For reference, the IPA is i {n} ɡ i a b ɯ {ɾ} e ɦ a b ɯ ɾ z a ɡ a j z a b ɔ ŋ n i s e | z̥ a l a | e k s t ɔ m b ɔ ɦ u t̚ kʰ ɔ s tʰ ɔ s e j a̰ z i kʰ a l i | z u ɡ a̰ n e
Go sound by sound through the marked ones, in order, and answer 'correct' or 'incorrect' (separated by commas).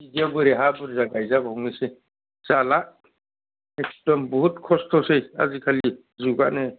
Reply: incorrect, correct